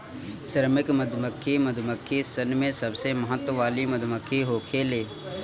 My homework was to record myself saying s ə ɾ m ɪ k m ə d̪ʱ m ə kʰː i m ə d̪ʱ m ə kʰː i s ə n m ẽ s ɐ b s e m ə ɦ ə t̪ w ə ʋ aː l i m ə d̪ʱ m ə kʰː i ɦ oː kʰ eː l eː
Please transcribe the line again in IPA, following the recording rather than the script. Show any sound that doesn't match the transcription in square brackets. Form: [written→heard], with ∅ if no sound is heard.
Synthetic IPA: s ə ɾ m ɪ k m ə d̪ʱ m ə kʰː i m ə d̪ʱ m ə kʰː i s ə n m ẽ s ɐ b s e m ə ɦ ə t̪ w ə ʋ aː l i m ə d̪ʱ m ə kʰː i ɦ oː kʰ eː l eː

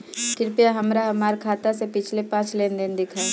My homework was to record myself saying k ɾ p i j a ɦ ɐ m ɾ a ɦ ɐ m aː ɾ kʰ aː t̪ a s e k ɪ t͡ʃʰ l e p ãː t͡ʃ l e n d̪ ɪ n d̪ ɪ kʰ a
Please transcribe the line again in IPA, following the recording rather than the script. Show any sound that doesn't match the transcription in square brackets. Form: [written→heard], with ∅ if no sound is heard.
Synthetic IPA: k ɾ p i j a ɦ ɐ m ɾ a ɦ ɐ m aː ɾ kʰ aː t̪ a s e [k→p] ɪ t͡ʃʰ l e p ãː t͡ʃ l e n d̪ ɪ n d̪ ɪ kʰ a

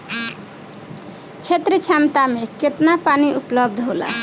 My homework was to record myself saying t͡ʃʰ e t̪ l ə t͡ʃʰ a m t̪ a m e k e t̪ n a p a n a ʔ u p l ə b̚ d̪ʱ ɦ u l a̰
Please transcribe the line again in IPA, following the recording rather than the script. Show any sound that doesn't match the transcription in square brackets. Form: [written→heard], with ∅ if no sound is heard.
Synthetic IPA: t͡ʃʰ e t̪ [l→ɾ] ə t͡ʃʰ a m t̪ a m e k e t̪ n a p a n [a→i] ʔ u p l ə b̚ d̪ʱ ɦ [u→o] l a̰

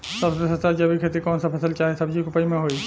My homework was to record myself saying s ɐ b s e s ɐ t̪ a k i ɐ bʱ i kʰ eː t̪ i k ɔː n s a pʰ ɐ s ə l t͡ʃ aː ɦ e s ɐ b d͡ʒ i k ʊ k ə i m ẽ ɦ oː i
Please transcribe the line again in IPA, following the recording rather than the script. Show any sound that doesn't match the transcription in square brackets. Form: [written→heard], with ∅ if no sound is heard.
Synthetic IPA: s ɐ b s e s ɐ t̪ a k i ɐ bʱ i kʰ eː t̪ i k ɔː n s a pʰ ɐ s ə l t͡ʃ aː ɦ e s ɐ b d͡ʒ i k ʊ [k→p] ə i m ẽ ɦ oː i

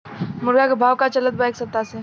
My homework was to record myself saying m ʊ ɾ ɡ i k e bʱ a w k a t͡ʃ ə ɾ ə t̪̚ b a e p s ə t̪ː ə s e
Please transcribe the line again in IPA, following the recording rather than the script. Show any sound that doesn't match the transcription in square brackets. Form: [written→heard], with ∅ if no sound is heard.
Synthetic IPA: m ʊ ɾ ɡ [i→a] k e bʱ a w k a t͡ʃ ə [ɾ→l] ə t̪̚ b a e [p→k] s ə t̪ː [ə→a] s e

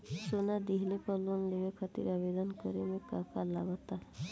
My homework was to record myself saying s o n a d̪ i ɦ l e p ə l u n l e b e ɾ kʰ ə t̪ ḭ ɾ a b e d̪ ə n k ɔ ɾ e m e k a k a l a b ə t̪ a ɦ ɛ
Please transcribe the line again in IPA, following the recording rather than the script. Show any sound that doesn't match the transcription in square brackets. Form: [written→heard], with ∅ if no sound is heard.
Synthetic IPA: s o n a d̪ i ɦ l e p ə l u n l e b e [ɾ→∅] kʰ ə t̪ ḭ ɾ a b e d̪ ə n k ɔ ɾ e m e k a k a l a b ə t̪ a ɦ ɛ

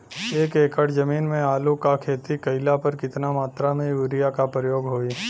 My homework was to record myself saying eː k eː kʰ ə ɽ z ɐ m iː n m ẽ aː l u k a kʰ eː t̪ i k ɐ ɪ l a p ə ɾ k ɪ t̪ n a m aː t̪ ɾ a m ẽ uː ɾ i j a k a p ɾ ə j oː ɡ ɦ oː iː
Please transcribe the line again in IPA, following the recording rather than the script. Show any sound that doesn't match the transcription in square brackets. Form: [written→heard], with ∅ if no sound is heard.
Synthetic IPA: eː k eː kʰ ə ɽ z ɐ m iː n m ẽ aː l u k a kʰ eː t̪ i k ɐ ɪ l a p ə ɾ k ɪ t̪ n a m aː t̪ ɾ a m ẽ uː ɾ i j a k a p ɾ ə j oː ɡ ɦ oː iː

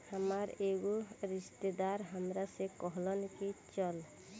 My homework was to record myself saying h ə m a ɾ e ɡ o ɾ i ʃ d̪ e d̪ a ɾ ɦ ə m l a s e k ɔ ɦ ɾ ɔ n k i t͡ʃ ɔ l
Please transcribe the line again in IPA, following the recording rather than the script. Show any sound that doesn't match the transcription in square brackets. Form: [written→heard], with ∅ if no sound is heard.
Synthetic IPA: h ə m a ɾ e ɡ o ɾ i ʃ [d̪→t̪] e d̪ a ɾ ɦ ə m [l→ɾ] a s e k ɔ ɦ [ɾ→l] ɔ n k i t͡ʃ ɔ l

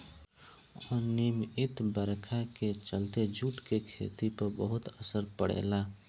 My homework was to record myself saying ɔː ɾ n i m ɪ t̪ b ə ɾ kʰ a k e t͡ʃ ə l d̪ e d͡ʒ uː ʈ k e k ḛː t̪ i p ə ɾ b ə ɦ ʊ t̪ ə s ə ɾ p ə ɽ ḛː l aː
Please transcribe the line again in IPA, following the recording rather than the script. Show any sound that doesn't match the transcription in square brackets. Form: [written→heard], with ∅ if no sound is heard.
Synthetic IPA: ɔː ɾ n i m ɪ t̪ b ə ɾ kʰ a k e t͡ʃ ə l [d̪→t̪] e d͡ʒ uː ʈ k e [k→kʰ] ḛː t̪ i p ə ɾ b ə ɦ ʊ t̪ ə s ə ɾ p ə ɽ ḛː l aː

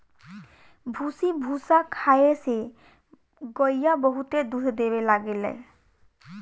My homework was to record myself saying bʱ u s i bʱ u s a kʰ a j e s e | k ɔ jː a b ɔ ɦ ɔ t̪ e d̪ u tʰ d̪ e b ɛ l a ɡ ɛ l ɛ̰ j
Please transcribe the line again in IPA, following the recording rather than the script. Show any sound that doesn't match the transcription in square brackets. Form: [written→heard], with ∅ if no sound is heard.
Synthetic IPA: bʱ u s i bʱ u s a kʰ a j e s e | [k→ɡ] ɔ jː a b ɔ ɦ [ɔ→u] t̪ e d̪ u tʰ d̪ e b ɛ l a ɡ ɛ l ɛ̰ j

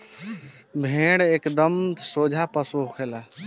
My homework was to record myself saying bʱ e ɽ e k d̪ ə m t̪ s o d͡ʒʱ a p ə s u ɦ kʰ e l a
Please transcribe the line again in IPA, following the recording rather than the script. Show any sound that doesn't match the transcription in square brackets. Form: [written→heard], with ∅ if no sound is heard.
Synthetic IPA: bʱ e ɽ e k d̪ ə m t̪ s o d͡ʒʱ a p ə s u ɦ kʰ e l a

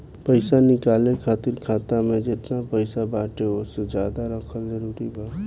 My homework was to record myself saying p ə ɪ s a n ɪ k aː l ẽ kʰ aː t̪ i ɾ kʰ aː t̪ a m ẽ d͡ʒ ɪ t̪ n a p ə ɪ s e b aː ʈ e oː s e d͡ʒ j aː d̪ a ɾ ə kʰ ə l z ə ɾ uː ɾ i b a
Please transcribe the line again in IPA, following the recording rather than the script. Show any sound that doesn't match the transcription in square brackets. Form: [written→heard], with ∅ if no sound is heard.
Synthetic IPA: p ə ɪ s a n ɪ k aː l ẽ kʰ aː t̪ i ɾ kʰ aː t̪ a m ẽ d͡ʒ ɪ t̪ n a p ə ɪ s [e→a] b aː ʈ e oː s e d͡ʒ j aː d̪ a ɾ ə kʰ ə l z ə ɾ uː ɾ i b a

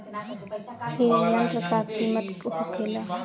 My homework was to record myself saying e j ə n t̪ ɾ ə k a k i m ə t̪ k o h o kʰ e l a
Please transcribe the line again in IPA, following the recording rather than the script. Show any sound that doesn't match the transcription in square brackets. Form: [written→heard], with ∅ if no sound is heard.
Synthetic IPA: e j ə n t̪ ɾ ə k a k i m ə t̪ k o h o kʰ e l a

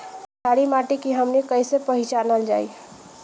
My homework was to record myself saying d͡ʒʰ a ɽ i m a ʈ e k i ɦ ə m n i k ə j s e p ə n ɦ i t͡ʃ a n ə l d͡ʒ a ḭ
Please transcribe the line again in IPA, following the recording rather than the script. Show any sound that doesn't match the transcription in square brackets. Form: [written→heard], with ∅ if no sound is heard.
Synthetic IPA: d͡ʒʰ a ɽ i m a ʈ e k i ɦ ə m n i k ə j s e p ə [n→∅] ɦ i t͡ʃ a n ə l d͡ʒ a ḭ

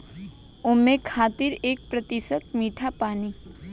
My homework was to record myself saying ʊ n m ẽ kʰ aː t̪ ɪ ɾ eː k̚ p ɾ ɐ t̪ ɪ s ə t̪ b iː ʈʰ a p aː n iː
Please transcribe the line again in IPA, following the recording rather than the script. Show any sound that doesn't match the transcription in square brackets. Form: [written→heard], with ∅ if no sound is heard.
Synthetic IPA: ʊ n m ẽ kʰ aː t̪ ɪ ɾ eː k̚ p ɾ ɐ t̪ ɪ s ə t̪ [b→m] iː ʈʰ a p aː n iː

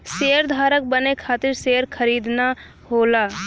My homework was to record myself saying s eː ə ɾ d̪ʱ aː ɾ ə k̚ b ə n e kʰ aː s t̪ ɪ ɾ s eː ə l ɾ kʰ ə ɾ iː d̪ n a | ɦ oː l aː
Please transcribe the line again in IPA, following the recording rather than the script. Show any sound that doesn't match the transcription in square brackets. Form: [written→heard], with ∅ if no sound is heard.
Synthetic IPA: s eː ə ɾ d̪ʱ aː ɾ ə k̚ b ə n e kʰ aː [s→∅] t̪ ɪ ɾ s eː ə [l→∅] ɾ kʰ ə ɾ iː d̪ n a | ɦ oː l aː

